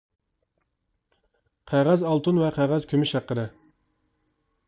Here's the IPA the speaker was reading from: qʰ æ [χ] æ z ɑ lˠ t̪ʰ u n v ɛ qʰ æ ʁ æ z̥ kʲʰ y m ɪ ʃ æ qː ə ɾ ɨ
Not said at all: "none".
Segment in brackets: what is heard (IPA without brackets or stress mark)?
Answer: ʁ